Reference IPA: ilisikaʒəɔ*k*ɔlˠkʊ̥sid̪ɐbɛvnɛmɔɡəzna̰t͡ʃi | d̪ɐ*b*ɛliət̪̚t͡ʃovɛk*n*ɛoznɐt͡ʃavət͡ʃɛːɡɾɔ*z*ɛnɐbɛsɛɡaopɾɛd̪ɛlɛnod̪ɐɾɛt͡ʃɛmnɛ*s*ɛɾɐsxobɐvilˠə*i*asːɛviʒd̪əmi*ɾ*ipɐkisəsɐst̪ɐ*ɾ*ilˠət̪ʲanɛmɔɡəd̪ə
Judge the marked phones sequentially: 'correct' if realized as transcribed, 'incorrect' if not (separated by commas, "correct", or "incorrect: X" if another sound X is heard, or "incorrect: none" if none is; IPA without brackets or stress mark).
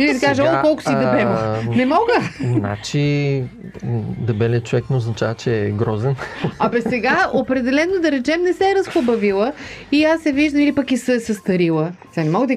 correct, correct, correct, correct, correct, correct, incorrect: l, correct